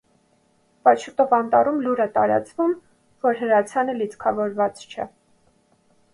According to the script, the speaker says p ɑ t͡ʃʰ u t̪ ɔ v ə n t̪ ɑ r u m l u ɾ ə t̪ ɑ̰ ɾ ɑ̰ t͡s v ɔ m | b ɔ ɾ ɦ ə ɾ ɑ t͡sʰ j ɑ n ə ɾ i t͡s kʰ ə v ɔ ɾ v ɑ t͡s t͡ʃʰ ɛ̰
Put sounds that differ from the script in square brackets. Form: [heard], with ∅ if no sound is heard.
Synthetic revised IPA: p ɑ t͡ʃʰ u t̪ ɔ v [ɑ] n t̪ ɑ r u m l u ɾ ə t̪ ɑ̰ ɾ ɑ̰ t͡s v [u] m | [v] ɔ ɾ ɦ ə ɾ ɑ t͡sʰ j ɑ n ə [l] i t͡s kʰ [ɑ] v ɔ ɾ v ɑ t͡s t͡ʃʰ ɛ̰